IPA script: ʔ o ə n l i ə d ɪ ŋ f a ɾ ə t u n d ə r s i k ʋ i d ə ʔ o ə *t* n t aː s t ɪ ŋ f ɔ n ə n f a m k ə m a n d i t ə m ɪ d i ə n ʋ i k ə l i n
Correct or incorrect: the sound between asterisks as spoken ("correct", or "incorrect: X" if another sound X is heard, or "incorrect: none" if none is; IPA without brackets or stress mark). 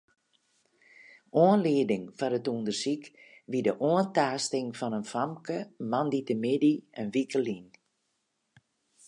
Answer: incorrect: none